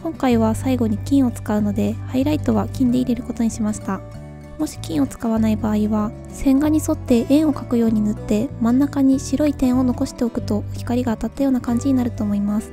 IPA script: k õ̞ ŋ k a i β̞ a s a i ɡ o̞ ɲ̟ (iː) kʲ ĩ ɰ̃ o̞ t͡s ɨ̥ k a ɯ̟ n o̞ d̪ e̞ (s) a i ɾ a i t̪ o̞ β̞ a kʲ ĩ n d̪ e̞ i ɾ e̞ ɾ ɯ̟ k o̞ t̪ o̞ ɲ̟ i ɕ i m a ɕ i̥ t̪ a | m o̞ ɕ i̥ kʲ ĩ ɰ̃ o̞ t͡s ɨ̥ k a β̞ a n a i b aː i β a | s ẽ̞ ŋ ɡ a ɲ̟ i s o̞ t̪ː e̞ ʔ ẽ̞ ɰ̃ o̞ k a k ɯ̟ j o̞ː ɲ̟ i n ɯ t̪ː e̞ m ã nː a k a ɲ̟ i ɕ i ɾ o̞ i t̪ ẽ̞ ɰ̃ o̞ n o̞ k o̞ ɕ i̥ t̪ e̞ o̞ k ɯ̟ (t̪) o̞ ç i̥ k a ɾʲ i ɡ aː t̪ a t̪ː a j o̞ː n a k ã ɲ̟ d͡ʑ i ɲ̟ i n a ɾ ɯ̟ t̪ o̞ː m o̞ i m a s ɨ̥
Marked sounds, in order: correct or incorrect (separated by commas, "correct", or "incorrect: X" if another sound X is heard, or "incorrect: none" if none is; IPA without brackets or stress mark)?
incorrect: i, incorrect: h, correct